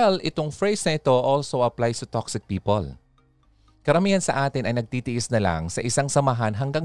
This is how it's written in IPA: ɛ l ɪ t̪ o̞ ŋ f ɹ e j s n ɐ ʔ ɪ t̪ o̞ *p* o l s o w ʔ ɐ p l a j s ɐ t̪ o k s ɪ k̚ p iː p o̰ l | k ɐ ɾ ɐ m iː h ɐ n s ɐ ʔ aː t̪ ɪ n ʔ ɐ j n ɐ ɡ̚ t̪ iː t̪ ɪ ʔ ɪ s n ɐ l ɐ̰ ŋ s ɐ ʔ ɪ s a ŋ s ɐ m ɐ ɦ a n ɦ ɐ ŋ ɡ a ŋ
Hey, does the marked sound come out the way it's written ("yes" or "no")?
no